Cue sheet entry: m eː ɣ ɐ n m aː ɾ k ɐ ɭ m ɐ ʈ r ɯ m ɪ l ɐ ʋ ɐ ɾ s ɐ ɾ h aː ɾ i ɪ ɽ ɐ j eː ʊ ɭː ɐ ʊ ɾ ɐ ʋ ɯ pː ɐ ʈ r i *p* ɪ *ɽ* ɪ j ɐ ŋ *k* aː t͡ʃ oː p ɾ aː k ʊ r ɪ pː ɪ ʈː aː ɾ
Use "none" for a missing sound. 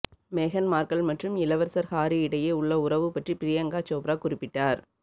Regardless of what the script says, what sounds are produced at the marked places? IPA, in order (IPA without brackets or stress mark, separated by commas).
p, ɾ, ɡ